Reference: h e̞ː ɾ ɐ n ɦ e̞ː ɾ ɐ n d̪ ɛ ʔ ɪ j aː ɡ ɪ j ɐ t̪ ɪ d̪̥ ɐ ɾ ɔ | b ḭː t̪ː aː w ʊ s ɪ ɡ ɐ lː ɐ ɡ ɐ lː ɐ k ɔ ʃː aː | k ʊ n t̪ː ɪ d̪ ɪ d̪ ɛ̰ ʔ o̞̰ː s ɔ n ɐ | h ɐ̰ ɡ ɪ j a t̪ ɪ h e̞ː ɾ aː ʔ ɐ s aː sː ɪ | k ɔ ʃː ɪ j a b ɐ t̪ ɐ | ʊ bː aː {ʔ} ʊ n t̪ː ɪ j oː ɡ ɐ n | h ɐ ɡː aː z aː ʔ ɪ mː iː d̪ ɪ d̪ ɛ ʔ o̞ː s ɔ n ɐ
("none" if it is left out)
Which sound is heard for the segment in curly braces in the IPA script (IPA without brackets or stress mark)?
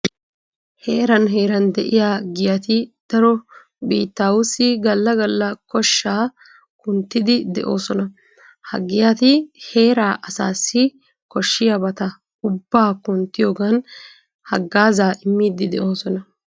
k